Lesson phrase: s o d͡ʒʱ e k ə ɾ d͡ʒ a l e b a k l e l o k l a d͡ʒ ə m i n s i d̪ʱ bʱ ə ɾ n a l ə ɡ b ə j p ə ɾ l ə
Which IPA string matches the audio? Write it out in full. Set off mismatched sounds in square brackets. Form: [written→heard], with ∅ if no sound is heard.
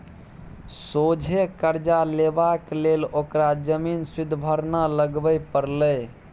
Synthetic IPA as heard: s o d͡ʒʱ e k ə ɾ d͡ʒ a l e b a k l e l o k [l→ɾ] a d͡ʒ ə m i n s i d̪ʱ bʱ ə ɾ n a l ə ɡ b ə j p ə ɾ l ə